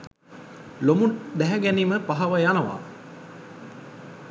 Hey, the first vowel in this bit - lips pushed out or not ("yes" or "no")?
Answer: yes